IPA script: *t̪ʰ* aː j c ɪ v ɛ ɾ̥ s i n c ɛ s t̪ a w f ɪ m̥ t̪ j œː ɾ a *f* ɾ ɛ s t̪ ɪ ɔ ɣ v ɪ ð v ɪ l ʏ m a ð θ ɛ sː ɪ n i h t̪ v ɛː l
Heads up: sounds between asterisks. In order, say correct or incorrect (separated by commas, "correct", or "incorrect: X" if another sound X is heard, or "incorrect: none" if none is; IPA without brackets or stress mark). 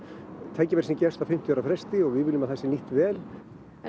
correct, correct